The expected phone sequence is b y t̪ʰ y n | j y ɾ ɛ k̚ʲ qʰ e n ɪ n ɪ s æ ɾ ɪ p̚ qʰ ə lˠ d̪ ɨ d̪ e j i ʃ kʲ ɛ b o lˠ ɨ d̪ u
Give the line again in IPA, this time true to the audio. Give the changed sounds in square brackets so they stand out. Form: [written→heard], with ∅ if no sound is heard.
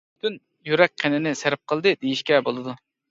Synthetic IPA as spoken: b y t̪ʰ y n | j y ɾ ɛ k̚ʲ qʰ e n ɪ n ɪ s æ ɾ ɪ p̚ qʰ ə lˠ d̪ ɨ d̪ e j i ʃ kʲ ɛ b o lˠ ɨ d̪ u